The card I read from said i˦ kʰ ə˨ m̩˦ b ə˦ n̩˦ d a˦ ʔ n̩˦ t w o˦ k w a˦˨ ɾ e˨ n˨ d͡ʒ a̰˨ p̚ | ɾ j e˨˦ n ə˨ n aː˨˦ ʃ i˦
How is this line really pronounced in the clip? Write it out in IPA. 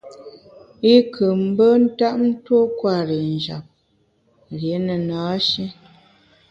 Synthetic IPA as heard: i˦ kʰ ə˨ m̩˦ b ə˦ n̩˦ t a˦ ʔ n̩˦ t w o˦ k w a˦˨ ɾ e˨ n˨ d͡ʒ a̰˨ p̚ | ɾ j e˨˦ n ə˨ n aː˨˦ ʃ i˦